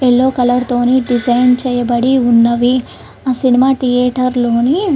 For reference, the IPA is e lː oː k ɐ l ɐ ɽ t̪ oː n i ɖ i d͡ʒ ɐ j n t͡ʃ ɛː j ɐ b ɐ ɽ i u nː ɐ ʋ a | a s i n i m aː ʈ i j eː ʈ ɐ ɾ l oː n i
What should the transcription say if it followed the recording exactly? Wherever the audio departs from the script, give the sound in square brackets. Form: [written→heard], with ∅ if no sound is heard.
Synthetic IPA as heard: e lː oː k ɐ l ɐ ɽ t̪ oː n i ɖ i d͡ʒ ɐ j n t͡ʃ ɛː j ɐ b ɐ ɽ i u nː ɐ ʋ [a→i] | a s i n i m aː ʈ i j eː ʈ ɐ ɾ l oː n i